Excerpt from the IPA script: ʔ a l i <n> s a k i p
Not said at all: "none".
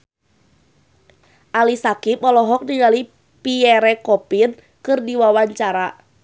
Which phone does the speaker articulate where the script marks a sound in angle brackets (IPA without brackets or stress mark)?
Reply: none